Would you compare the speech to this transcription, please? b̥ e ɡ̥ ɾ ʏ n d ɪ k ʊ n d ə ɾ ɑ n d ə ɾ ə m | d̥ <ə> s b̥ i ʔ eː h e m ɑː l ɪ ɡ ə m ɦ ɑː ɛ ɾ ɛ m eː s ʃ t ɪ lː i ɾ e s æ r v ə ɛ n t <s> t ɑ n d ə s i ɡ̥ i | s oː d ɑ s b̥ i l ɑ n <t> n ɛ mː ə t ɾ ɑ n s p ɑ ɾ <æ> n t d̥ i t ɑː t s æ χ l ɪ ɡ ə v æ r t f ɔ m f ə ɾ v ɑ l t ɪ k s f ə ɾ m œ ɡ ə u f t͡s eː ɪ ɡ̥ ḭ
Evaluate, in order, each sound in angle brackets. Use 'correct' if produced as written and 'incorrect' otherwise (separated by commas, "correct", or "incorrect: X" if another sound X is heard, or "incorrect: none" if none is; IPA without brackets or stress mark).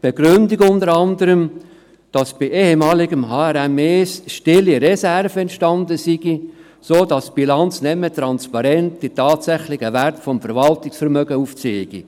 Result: incorrect: ɑ, incorrect: ʃ, incorrect: t͡s, incorrect: ɛ